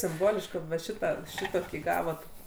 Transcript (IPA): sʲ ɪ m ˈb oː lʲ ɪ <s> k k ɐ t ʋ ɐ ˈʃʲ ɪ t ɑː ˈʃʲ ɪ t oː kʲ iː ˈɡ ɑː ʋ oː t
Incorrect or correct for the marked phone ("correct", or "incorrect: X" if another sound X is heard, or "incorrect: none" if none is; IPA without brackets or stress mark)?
incorrect: ʃ